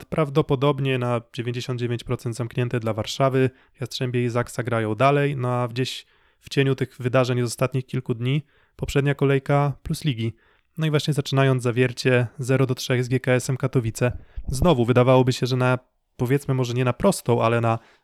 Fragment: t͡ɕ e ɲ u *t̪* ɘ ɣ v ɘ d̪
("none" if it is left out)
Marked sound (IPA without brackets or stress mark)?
t̪